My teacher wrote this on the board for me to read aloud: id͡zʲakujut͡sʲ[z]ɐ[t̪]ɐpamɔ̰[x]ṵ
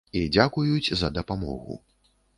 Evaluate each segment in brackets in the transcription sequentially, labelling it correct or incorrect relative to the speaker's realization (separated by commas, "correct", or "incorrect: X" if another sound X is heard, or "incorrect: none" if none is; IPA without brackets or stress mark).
correct, incorrect: d̪, incorrect: ɣ